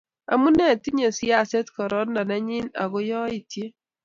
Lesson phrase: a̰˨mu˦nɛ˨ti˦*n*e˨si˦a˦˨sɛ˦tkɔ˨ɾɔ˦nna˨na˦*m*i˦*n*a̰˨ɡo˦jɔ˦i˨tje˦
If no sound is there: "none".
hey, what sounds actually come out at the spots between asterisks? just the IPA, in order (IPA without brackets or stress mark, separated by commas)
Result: ɲ, ɲ, n